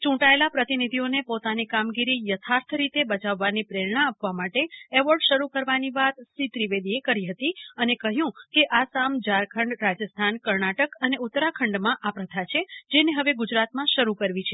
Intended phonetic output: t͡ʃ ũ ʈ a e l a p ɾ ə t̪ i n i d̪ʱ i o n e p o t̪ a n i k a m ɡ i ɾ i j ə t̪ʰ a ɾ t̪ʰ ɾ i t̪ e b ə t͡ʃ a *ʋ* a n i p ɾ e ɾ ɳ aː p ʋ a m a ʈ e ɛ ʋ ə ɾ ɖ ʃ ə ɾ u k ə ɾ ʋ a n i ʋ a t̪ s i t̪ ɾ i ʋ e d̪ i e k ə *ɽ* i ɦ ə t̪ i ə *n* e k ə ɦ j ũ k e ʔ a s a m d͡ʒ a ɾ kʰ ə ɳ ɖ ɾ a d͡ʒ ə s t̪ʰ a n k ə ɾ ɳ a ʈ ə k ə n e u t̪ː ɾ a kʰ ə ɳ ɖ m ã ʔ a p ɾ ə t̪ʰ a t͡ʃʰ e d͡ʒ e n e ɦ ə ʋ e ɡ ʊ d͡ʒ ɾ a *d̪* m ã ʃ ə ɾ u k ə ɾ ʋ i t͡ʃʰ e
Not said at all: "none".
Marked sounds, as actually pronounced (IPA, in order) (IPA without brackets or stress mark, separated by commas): ʋː, ɾ, n, t̪